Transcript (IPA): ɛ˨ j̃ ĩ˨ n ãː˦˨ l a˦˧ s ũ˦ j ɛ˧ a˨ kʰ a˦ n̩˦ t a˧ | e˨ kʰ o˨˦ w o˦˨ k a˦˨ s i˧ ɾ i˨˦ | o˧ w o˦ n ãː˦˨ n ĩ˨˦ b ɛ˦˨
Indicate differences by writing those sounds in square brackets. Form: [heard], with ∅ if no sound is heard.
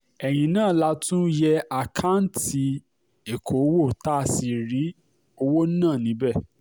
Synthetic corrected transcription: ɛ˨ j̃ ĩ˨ n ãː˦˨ l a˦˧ [t] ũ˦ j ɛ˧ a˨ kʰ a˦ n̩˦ t [i˧] | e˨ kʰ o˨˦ w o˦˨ [t] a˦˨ s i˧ ɾ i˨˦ | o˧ w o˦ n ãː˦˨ n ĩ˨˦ b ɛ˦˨

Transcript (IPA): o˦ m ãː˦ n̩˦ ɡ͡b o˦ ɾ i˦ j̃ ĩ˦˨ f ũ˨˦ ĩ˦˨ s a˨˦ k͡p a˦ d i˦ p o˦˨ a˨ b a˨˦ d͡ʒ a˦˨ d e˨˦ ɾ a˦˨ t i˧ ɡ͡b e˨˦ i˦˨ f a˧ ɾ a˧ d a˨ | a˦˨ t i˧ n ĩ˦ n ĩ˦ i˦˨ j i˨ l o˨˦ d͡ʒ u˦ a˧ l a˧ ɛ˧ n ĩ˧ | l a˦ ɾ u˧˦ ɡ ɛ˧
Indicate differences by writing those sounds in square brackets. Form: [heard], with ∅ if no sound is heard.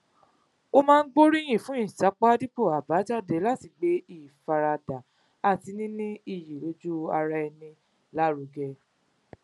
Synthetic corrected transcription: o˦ m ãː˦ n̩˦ ɡ͡b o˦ ɾ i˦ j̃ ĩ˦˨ f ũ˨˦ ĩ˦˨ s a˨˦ k͡p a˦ d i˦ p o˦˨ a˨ b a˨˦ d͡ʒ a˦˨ d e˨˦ [l] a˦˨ t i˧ ɡ͡b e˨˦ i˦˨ f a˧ ɾ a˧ d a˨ | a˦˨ t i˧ n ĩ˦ n ĩ˦ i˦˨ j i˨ l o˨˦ d͡ʒ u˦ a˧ [ɾ] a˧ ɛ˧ n ĩ˧ | l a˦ ɾ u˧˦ ɡ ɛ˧

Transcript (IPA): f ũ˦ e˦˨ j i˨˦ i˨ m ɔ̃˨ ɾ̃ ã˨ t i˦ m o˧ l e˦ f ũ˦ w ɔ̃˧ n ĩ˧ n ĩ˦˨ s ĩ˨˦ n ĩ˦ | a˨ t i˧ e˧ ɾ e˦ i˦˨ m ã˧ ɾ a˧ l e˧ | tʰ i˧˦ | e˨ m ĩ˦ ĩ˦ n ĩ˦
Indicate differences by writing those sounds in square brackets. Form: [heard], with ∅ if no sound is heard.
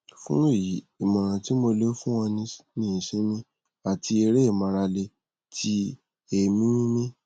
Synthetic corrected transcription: f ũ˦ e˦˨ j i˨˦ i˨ m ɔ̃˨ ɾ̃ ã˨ t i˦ m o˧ l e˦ f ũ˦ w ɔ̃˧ n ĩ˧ n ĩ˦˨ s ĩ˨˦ n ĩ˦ | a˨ t i˧ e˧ ɾ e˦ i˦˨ m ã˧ ɾ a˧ l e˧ | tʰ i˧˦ | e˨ m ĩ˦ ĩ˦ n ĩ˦

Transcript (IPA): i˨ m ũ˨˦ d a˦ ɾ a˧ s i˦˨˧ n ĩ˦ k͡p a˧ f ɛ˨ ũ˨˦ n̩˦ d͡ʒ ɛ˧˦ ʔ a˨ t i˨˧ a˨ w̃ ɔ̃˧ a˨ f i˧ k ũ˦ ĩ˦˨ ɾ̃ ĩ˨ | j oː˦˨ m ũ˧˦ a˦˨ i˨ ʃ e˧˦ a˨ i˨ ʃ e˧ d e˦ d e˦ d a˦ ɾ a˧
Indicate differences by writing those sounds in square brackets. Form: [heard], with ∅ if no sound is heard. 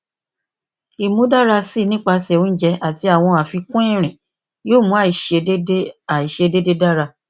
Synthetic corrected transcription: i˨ m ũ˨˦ d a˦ ɾ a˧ s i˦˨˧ n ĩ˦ k͡p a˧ [s] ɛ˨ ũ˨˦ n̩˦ d͡ʒ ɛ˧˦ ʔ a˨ t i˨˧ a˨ w̃ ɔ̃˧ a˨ f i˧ k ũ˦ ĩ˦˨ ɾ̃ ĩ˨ | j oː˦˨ m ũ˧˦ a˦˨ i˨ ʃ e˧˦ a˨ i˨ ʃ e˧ d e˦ d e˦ d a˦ ɾ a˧

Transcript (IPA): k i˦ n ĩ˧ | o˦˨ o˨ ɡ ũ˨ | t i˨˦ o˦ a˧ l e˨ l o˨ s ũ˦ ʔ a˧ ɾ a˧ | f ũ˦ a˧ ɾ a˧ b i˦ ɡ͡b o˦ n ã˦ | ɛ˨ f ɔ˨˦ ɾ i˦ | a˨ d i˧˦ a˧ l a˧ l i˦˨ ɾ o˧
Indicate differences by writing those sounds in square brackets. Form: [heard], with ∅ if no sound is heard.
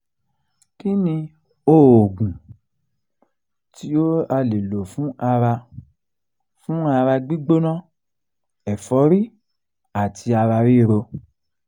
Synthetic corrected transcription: k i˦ n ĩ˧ | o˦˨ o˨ ɡ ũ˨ | t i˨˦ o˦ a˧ l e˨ l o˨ [f] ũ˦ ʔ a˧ ɾ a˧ | f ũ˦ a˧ ɾ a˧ [ɡ͡b] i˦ ɡ͡b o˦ n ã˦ | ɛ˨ f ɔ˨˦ ɾ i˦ | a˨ [t] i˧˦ a˧ [ɾ] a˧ [ɾ] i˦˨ ɾ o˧

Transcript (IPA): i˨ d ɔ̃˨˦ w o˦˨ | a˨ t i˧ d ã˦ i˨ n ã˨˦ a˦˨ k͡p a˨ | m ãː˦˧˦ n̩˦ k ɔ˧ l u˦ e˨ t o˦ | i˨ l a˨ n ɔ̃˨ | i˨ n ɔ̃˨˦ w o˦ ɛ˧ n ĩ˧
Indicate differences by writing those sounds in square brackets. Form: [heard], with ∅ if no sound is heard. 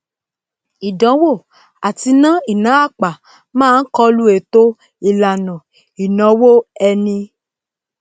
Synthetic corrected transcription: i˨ d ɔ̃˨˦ w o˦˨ | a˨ t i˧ [n] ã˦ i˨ n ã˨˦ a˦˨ k͡p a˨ | m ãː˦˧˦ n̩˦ k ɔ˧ l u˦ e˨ t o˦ | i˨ l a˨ n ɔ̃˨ | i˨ n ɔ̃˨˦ w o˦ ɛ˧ n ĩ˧

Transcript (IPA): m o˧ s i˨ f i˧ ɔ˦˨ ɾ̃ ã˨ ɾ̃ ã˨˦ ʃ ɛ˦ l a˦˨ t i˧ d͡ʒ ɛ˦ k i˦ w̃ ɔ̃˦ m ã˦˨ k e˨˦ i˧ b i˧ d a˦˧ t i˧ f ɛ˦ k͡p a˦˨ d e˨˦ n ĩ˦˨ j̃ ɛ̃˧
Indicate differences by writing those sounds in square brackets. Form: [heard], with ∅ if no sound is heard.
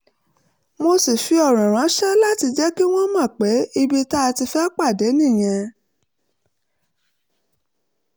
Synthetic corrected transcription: m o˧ s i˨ f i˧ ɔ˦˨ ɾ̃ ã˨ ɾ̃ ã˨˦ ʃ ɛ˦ l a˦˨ t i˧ d͡ʒ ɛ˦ k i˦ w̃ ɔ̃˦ m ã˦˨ [k͡p] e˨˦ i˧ b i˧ [t] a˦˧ t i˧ f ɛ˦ k͡p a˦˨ d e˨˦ n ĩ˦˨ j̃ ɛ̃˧

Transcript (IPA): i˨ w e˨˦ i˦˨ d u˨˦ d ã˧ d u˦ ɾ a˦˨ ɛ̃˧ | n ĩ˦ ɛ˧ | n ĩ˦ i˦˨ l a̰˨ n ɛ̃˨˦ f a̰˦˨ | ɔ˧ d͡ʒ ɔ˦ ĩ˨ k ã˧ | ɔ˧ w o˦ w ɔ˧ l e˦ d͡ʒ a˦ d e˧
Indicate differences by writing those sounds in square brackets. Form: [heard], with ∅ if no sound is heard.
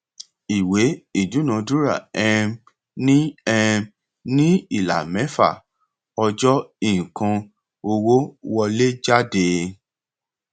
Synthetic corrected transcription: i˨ w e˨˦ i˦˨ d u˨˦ [n] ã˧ d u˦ ɾ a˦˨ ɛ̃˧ | n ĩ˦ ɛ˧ | n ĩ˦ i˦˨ l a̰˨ [m] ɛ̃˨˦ f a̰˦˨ | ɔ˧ d͡ʒ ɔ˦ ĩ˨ k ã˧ | [o˧] w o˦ w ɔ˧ l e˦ d͡ʒ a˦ d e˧

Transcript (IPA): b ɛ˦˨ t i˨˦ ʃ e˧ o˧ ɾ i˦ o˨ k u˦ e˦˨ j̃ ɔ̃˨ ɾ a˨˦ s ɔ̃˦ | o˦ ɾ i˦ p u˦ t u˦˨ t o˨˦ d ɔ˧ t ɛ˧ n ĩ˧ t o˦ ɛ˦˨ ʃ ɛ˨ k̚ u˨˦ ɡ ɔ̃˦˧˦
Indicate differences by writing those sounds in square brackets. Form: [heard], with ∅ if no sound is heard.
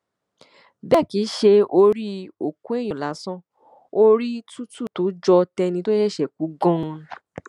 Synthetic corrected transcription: b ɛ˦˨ [k] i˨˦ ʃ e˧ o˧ ɾ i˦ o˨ k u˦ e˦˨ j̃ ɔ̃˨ [l] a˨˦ s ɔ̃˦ | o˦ ɾ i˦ [t] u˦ t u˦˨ t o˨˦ [d͡ʒ] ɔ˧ t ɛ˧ n ĩ˧ t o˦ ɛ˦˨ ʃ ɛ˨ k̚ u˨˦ ɡ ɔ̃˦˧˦

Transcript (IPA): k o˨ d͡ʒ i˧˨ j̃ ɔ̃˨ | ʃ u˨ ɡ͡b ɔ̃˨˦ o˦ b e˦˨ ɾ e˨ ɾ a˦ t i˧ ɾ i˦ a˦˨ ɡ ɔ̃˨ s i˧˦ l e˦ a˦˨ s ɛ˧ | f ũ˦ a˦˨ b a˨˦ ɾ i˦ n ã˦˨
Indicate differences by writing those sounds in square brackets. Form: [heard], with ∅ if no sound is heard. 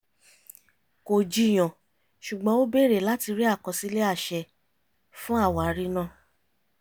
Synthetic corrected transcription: k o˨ d͡ʒ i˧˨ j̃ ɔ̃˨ | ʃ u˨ ɡ͡b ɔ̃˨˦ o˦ b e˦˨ ɾ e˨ [l] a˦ t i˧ ɾ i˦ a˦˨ [k] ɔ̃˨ s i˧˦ l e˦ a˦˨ [ʃ] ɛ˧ | f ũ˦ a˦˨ [w] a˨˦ ɾ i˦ n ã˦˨

